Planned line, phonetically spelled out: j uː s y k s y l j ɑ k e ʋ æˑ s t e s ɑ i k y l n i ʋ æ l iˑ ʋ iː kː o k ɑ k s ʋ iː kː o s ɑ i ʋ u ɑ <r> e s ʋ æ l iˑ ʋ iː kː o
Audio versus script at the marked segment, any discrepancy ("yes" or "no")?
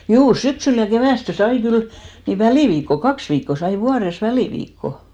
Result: no